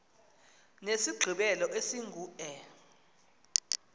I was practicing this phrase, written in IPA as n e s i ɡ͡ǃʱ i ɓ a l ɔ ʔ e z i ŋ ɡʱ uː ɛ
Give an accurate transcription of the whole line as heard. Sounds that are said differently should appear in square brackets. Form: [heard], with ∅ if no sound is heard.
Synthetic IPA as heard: n e s i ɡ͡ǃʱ i ɓ [ɛ] l ɔ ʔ e [s] i ŋ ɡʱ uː ɛ